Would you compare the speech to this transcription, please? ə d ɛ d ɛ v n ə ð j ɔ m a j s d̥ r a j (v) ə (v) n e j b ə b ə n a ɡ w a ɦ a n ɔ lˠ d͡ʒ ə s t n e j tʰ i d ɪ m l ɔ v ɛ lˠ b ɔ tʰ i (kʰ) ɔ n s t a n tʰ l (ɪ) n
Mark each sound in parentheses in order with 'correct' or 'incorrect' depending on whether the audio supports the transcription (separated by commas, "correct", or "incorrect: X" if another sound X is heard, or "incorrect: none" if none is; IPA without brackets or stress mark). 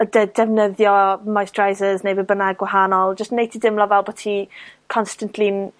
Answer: incorrect: z, incorrect: z, correct, incorrect: i